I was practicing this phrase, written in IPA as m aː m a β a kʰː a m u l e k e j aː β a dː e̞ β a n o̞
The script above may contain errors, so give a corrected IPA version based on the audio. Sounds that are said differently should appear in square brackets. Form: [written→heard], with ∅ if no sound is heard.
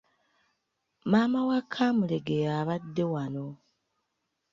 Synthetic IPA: m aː m a [β→w] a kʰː a m u l e [k→ɡ] e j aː β a dː e̞ [β→w] a n o̞